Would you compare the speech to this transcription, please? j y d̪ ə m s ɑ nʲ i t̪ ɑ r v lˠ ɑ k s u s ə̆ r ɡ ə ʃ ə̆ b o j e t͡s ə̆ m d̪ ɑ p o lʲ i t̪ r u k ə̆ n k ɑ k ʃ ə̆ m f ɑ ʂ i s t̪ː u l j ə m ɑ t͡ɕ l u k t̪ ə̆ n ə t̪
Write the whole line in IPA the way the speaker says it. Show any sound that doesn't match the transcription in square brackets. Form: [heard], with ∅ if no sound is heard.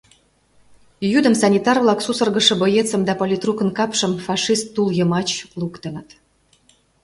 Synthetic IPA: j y d̪ ə m s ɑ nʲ i t̪ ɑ r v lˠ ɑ k s u s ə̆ r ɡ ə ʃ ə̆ b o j e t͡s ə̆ m d̪ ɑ p o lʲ i t̪ r u k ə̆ n k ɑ [p] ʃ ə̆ m f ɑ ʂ i s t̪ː u l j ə m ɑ t͡ɕ l u k t̪ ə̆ n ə t̪